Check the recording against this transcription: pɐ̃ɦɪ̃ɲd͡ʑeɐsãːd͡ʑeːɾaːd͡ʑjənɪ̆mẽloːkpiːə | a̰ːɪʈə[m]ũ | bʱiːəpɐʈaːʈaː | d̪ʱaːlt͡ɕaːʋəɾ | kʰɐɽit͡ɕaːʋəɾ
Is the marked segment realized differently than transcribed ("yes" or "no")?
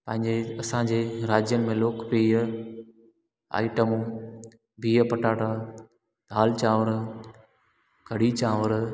no